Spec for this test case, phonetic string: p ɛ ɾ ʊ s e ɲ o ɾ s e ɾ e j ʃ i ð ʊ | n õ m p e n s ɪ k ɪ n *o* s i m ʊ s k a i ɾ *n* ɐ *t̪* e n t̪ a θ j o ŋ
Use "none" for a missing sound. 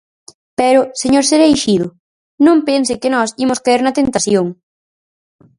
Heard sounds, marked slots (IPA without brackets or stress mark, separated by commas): ɔ, n, t̪